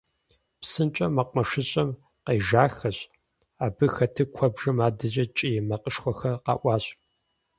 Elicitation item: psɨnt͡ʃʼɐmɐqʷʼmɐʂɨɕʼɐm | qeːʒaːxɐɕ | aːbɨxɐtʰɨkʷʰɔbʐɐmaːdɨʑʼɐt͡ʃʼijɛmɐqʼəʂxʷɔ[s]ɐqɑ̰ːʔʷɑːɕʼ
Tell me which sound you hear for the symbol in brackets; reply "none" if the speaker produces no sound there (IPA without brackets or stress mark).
x